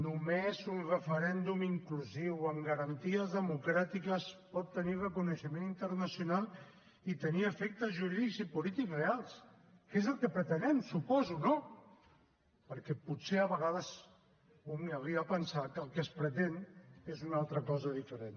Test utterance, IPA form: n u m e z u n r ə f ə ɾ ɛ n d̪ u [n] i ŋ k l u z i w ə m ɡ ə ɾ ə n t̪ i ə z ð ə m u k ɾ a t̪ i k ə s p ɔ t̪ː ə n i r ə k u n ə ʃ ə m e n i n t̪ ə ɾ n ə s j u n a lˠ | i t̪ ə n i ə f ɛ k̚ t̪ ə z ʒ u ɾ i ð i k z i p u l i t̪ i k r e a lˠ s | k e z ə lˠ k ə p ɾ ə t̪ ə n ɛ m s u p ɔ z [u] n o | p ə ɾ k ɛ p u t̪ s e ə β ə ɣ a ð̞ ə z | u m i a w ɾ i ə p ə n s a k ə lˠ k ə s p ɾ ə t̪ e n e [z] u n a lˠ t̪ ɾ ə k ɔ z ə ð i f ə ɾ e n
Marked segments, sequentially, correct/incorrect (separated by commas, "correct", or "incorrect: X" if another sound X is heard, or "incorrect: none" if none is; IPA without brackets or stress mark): incorrect: m, correct, correct